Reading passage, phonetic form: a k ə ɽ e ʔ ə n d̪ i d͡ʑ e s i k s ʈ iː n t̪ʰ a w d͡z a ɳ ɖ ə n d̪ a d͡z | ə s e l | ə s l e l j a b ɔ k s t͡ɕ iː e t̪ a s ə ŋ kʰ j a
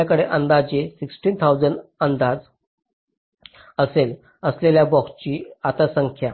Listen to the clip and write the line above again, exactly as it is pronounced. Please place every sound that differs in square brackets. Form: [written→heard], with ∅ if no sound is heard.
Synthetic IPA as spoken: a k ə ɽ e ʔ ə n d̪ [i→a] d͡ʑ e s i k s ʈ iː n t̪ʰ a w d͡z [a→ə] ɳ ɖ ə n d̪ a d͡z | ə s e l | ə s l e l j a b ɔ k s t͡ɕ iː [e→a] t̪ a s ə ŋ kʰ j a